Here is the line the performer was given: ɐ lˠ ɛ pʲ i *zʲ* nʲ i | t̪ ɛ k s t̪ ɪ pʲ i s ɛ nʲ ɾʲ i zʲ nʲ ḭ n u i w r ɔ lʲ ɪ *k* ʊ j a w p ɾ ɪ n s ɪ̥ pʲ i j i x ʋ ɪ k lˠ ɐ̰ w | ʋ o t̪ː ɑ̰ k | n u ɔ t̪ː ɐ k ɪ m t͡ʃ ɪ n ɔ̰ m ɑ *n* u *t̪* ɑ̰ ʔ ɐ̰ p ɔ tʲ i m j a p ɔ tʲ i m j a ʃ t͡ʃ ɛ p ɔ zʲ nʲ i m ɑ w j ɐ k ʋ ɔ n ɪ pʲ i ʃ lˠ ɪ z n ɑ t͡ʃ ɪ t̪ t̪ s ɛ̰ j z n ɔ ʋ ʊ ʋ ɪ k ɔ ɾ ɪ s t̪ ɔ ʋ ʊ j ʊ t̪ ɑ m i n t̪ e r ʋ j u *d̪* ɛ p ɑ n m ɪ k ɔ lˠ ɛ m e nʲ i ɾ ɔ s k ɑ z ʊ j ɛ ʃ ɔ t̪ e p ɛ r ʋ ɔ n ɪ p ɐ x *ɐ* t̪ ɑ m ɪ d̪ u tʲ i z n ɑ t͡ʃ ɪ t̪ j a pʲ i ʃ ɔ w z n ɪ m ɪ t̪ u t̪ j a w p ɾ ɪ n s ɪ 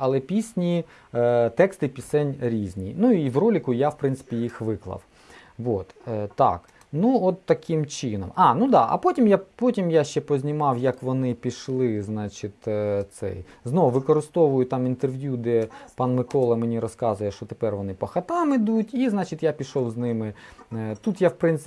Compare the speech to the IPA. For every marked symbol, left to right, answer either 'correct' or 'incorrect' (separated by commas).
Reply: incorrect, correct, correct, incorrect, correct, correct